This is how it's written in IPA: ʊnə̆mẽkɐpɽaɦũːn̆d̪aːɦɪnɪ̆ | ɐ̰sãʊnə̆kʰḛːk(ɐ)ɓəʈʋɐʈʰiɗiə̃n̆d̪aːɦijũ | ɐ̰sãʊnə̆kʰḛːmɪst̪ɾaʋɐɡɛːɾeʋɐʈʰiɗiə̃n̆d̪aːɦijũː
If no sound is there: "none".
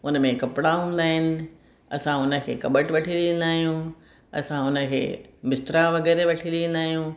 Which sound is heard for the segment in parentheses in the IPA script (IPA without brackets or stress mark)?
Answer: ɐ